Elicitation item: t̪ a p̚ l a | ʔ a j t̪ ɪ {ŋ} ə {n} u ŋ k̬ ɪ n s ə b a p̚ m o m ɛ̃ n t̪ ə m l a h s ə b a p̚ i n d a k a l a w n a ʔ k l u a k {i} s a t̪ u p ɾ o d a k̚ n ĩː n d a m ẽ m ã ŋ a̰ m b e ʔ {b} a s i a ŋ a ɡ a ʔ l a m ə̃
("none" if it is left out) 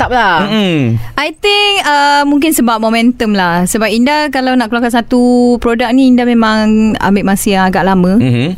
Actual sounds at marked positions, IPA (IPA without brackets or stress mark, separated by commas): ŋ, m, a, m